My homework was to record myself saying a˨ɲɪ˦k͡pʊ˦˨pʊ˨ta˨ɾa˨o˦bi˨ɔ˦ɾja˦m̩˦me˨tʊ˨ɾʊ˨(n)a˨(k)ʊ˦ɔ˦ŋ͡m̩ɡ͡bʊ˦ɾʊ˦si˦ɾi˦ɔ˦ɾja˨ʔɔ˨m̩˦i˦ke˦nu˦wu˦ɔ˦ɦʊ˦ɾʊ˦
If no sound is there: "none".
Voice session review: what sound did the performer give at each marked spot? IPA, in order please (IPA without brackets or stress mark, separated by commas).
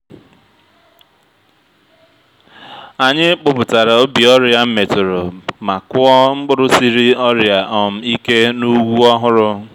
m, k